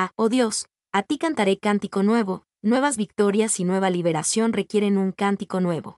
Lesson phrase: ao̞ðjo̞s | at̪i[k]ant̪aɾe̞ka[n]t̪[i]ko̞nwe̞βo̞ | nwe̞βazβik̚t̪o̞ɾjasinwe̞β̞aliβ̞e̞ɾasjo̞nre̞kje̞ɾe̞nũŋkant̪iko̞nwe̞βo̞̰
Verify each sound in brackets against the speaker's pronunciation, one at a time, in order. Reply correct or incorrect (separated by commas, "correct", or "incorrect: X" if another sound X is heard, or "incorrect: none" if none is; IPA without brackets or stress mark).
correct, correct, correct